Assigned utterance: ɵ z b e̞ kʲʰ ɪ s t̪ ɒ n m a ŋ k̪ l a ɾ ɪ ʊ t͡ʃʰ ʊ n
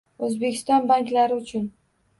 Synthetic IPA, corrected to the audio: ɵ z b e̞ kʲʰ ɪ s t̪ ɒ n b a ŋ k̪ l a ɾ ɪ ʊ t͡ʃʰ ʊ n